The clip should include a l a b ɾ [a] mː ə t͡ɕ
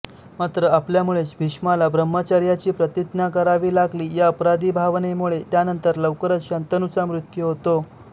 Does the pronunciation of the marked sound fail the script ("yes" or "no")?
yes